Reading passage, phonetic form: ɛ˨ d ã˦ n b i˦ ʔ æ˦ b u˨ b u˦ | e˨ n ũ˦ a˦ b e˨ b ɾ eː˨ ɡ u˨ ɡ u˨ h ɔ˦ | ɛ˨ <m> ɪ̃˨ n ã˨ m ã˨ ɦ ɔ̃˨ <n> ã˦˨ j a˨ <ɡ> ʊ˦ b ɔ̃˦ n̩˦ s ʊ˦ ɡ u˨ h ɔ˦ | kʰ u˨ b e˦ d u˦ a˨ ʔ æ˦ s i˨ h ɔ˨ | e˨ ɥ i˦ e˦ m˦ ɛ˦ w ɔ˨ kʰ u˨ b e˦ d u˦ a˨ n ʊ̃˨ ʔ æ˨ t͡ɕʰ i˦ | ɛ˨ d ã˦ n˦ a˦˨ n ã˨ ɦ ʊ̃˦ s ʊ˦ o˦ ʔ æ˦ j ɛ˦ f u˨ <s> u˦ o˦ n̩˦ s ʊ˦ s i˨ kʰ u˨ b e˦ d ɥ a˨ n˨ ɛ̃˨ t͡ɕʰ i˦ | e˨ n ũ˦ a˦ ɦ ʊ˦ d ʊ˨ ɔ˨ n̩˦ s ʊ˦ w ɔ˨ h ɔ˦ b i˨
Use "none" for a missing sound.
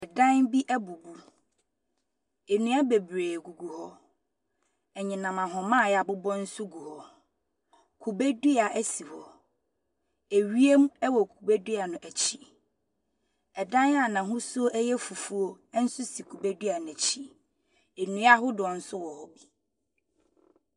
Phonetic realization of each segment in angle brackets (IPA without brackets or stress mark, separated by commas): ɲ, m, b, f